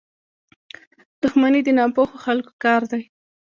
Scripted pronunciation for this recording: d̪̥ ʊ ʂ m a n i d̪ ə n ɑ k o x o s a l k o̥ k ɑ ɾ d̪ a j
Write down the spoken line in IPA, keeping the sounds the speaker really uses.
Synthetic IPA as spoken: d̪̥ ʊ x m a n i d̪ ə n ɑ p o x o x a l k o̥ k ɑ ɾ d̪ a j